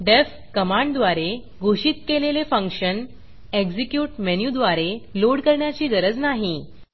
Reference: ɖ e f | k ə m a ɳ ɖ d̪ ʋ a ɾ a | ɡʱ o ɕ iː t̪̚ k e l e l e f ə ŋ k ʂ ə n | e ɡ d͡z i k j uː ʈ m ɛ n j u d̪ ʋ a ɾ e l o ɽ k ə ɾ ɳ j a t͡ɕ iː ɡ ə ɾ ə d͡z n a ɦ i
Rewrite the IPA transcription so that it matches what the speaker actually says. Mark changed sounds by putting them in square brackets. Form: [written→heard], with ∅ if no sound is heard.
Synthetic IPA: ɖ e f | k ə m a ɳ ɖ d̪ ʋ a ɾ [a→e] | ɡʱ o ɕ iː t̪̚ k e l e l e f ə ŋ k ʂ ə n | e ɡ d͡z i k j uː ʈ m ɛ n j u d̪ ʋ a ɾ e l o ɽ k ə ɾ ɳ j a t͡ɕ iː ɡ ə ɾ ə d͡z n a ɦ i

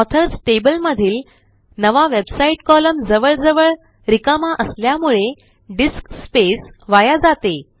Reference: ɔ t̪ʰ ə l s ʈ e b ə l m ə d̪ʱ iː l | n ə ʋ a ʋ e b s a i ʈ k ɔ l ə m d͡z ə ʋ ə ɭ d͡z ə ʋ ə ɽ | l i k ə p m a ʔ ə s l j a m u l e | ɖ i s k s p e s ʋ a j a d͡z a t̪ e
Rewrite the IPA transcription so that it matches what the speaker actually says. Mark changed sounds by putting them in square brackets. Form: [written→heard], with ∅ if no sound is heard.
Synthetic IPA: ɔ t̪ʰ ə [l→ɾ] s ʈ e b ə l m ə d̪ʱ iː l | n ə ʋ a ʋ e b s a i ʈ k ɔ l ə m d͡z ə ʋ ə ɭ d͡z ə ʋ ə [ɽ→ɭ] | [l→ɾ] i k ə [p→∅] m a ʔ ə s l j a m u [l→ɭ] e | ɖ i s k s p e s ʋ a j a d͡z a t̪ e

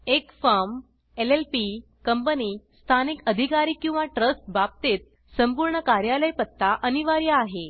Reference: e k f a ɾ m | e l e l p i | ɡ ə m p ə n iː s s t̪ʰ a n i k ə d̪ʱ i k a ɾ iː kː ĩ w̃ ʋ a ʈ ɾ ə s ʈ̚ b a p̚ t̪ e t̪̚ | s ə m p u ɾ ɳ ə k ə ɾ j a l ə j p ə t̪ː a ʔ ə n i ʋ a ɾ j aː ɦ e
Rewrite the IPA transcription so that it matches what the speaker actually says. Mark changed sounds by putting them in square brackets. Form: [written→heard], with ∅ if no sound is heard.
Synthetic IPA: e k f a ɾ m | e l e l p i | [ɡ→k] ə m p ə n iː s s t̪ʰ a n i k ə d̪ʱ i k a ɾ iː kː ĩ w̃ ʋ a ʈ ɾ ə s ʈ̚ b a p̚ t̪ e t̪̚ | s ə m p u ɾ ɳ ə k [ə→a] ɾ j a l ə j p ə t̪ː a ʔ ə n i ʋ a ɾ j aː ɦ e

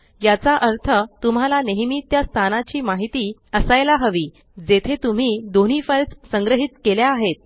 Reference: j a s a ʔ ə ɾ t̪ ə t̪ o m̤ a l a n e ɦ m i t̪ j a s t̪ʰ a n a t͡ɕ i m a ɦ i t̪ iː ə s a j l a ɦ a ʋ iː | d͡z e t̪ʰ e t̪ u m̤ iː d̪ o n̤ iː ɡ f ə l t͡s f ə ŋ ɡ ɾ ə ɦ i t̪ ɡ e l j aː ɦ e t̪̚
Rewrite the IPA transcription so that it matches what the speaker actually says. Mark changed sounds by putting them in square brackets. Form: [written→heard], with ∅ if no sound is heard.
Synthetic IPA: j a [s→t͡s] a ʔ ə ɾ [t̪→t̪ʰ] ə t̪ [o→u] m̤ a l a n e ɦ m i t̪ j a s t̪ʰ a n a t͡ɕ [i→iː] m a ɦ i t̪ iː ə s a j l a ɦ [a→ə] ʋ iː | d͡z e t̪ʰ e t̪ u m̤ iː d̪ o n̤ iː [ɡ→∅] f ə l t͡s [f→s] ə ŋ ɡ ɾ ə ɦ i t̪ [ɡ→k] e l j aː ɦ e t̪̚

